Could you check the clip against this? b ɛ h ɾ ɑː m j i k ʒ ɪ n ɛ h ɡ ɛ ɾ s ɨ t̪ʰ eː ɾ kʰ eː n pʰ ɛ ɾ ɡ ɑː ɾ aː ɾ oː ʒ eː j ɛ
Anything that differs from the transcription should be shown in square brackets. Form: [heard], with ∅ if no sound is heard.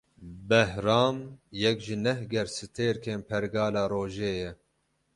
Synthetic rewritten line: b ɛ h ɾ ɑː m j [ɛ] k ʒ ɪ n ɛ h ɡ ɛ ɾ s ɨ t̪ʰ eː ɾ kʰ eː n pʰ ɛ ɾ ɡ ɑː [l] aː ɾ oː ʒ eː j ɛ